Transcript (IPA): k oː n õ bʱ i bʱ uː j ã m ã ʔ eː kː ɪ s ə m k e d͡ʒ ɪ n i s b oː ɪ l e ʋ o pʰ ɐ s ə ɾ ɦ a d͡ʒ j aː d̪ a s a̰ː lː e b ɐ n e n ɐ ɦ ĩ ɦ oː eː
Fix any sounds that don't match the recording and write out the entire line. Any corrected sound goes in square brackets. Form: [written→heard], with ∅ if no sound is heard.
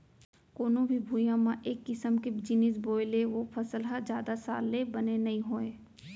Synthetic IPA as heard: k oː n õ bʱ i bʱ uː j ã m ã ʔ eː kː ɪ s ə m k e d͡ʒ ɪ n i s b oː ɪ l e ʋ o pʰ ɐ s ə [ɾ→l] ɦ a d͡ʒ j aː d̪ a s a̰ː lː e b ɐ n e n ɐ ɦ ĩ ɦ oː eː